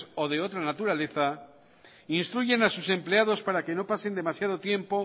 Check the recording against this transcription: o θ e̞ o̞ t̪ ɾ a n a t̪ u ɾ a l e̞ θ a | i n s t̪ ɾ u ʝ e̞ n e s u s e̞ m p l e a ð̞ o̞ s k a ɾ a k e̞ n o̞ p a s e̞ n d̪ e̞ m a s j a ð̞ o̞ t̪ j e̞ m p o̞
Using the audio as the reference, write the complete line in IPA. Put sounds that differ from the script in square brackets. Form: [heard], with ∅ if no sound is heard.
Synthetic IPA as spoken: o [ð] e̞ o̞ t̪ ɾ a n a t̪ u ɾ a l e̞ θ a | i n s t̪ ɾ u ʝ e̞ n [a] s u s e̞ m p l e a ð̞ o̞ s [p] a ɾ a k e̞ n o̞ p a s e̞ n d̪ e̞ m a s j a ð̞ o̞ t̪ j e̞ m p o̞